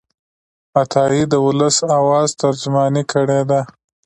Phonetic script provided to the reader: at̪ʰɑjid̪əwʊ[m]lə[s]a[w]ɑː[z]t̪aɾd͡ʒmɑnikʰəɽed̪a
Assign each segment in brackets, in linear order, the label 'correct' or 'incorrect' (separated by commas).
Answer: incorrect, correct, correct, correct